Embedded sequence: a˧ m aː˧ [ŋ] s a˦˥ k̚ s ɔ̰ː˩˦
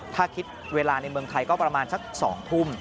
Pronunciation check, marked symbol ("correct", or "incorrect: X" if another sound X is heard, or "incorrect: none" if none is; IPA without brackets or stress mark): incorrect: n